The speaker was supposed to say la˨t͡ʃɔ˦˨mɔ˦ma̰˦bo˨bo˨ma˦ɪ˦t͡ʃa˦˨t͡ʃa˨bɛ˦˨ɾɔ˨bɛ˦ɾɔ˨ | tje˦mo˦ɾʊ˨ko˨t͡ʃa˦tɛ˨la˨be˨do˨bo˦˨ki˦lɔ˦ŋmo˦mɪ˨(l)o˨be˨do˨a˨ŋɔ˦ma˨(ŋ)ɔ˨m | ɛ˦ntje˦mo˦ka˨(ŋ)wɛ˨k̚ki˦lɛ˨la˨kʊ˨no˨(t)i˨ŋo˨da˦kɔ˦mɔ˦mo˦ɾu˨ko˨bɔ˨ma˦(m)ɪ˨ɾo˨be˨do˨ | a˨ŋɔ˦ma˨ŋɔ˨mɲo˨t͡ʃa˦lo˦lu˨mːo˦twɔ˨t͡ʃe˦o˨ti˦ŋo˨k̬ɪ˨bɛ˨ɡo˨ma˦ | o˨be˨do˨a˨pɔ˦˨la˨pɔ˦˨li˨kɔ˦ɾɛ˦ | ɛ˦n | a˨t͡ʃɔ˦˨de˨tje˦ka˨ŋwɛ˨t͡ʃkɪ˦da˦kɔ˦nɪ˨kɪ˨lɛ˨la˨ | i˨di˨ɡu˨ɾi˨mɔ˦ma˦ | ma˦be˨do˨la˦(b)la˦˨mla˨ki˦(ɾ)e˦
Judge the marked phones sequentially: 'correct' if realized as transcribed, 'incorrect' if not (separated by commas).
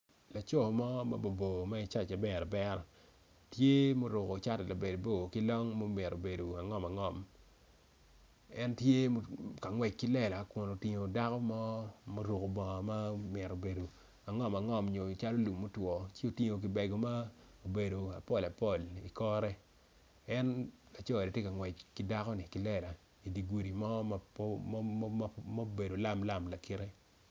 incorrect, correct, correct, correct, correct, incorrect, correct